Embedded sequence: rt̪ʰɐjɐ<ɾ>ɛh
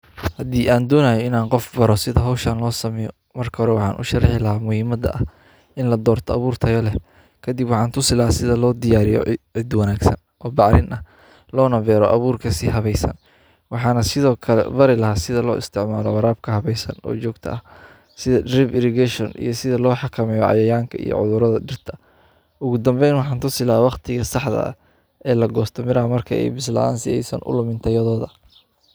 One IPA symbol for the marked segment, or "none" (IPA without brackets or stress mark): l